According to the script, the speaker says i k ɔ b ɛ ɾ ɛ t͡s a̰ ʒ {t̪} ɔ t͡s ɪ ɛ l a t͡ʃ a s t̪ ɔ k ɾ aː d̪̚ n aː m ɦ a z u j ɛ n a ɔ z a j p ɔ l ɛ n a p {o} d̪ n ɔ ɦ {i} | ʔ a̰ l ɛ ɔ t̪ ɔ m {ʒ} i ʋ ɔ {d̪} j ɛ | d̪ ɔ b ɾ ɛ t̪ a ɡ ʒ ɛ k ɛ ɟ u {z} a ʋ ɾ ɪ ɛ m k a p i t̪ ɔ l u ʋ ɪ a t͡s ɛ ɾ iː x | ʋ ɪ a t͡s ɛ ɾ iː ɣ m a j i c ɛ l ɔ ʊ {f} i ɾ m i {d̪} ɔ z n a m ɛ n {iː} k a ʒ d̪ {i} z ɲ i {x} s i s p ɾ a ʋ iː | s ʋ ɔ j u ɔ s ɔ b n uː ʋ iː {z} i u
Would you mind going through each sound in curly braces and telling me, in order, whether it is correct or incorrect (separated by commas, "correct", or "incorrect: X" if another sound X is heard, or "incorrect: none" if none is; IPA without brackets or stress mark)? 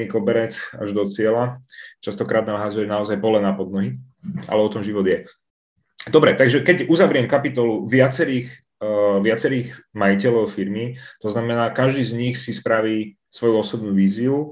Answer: incorrect: d̪, incorrect: ɔ, correct, correct, correct, correct, correct, incorrect: t̪, incorrect: aː, incorrect: iː, correct, correct